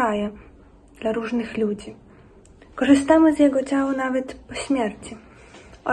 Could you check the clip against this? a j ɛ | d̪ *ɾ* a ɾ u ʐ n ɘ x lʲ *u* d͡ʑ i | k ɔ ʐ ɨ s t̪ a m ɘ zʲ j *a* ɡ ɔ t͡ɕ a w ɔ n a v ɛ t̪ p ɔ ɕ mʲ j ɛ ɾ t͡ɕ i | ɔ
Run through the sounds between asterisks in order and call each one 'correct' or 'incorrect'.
incorrect: l, correct, incorrect: ɛ

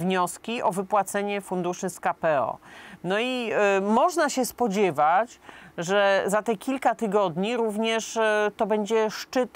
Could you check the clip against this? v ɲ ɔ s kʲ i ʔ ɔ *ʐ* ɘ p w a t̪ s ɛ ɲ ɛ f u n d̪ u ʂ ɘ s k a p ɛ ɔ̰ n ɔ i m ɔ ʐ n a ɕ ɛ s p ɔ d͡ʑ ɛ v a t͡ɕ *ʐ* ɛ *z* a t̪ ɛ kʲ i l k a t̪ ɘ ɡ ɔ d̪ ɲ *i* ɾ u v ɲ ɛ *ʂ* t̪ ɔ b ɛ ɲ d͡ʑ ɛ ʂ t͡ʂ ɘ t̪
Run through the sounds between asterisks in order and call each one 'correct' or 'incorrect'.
incorrect: v, correct, correct, correct, correct

